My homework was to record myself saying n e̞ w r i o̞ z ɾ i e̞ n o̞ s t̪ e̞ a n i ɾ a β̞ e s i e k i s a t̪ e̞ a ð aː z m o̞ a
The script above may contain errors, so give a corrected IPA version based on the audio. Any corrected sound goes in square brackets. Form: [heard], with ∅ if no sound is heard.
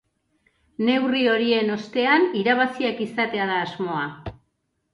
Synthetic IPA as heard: n e̞ w r i o̞ [∅] ɾ i e̞ n o̞ s t̪ e̞ a n i ɾ a β̞ [a] s i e k i s a t̪ e̞ a ð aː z m o̞ a